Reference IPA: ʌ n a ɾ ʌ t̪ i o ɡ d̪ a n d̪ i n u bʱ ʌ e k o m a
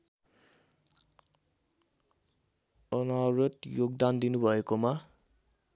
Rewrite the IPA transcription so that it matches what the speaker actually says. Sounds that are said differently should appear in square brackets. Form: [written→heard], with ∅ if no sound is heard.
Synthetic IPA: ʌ n a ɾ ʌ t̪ [i→j] o ɡ d̪ a n d̪ i n u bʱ ʌ e k o m a